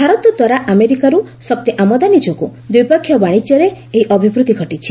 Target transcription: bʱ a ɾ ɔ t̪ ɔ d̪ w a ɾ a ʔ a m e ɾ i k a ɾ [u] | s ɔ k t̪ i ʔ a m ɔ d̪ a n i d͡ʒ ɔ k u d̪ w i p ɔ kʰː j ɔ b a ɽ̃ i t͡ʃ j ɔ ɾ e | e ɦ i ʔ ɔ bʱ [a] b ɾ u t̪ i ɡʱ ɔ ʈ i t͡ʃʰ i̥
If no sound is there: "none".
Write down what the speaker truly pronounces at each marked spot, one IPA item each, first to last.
u, i

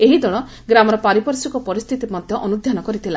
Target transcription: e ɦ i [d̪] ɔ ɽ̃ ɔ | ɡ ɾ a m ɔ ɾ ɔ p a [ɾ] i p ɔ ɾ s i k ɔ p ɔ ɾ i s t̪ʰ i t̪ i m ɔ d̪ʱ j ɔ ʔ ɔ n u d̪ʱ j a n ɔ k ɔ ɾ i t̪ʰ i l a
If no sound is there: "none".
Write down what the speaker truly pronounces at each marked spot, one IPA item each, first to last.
d̪, ɾ

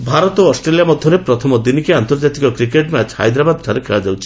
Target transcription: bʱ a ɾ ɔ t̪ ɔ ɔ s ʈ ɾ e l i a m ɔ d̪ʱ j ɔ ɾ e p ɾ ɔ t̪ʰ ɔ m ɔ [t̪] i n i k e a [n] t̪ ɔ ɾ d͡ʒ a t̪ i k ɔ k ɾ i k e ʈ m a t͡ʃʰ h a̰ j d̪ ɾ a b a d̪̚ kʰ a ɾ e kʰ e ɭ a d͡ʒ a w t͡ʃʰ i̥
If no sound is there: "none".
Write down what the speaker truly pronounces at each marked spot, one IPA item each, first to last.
d̪, n

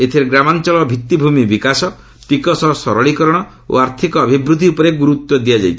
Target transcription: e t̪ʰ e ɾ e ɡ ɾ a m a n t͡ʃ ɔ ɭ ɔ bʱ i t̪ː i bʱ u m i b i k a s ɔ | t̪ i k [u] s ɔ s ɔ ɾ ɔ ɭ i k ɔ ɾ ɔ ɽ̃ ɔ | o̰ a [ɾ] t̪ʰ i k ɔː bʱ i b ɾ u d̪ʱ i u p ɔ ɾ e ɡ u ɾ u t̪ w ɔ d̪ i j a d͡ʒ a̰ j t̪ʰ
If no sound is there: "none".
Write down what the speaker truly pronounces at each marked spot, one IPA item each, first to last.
ɔ, ɾ

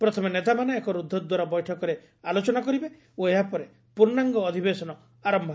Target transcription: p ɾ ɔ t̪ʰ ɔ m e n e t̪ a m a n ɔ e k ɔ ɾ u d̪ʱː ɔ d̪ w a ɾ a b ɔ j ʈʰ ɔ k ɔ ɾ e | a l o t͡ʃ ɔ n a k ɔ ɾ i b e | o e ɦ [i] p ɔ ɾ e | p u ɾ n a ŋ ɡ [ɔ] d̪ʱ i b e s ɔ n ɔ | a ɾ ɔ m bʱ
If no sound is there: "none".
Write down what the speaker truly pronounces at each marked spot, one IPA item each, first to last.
a, ɔː

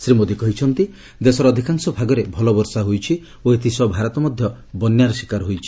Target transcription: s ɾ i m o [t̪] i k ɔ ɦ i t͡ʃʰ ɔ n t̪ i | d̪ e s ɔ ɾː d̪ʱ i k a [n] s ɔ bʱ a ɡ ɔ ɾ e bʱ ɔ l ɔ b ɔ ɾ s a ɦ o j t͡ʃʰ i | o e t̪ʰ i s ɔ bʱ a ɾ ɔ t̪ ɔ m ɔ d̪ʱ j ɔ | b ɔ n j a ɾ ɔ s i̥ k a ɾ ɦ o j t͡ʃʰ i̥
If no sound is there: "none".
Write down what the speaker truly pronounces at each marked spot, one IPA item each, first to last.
d̪, ŋ

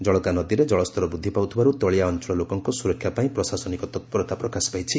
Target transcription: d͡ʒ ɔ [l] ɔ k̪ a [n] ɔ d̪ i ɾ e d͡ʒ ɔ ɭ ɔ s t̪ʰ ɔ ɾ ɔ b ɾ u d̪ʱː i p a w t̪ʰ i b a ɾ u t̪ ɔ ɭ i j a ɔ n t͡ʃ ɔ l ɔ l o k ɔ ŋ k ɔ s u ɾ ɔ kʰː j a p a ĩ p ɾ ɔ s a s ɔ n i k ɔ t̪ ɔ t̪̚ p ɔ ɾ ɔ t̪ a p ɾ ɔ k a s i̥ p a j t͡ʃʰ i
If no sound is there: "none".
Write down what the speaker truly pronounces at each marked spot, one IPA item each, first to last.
ɭ, n

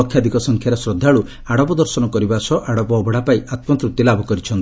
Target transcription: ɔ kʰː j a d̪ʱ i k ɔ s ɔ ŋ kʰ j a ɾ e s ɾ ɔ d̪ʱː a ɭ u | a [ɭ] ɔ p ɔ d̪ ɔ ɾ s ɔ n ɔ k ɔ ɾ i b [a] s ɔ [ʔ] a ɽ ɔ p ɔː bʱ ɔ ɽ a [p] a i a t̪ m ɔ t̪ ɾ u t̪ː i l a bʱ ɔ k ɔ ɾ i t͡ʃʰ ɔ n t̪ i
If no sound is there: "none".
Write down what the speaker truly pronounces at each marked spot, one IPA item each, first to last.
ɽ, a, ʔ, p

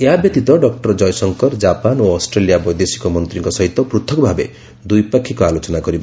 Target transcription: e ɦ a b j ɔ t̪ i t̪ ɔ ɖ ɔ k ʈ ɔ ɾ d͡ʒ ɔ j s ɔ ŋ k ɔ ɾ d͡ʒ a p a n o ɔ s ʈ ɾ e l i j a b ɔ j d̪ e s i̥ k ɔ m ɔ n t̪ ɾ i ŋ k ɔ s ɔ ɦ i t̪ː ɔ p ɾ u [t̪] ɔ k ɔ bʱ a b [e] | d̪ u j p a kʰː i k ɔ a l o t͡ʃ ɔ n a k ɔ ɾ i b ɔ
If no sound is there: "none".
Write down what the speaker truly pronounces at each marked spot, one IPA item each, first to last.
t̪ʰ, e

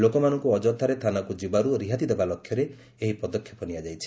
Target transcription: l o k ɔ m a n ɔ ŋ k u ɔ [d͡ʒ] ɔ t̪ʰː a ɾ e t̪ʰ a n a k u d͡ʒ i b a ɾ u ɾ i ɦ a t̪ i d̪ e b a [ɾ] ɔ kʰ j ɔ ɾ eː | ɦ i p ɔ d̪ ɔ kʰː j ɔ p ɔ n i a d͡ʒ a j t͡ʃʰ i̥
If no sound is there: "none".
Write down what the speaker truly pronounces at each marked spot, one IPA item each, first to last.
d͡ʒ, l

